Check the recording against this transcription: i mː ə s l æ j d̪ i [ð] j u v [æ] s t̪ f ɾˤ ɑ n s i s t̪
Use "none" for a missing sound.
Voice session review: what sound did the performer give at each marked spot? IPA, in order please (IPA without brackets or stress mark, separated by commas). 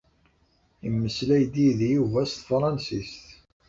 ð, æ